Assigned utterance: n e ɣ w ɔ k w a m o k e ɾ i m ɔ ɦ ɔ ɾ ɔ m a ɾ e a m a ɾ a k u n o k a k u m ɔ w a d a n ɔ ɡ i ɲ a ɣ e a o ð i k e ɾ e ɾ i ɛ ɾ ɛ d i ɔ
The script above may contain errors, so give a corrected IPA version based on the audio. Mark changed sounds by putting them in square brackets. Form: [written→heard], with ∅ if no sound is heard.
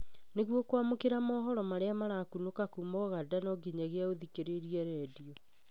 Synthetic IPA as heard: n e ɣ w ɔ k w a m o k e ɾ [i→a] m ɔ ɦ ɔ ɾ ɔ m a ɾ e a m a ɾ a k u n o k a k u m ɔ [w→ɣ] a d a n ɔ ɡ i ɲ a ɣ e a o ð i k e ɾ e ɾ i ɛ ɾ ɛ d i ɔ